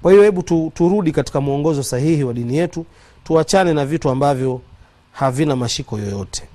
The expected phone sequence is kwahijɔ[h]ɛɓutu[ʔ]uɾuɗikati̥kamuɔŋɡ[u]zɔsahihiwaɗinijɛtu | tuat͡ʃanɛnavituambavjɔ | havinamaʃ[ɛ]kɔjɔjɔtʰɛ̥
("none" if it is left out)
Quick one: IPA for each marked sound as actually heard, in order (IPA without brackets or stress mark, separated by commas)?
h, t, ɔ, i